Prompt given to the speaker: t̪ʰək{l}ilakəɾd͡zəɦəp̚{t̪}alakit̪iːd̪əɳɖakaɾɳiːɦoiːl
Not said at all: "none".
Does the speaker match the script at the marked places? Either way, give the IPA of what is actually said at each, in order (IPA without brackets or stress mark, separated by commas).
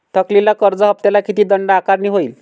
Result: l, t̪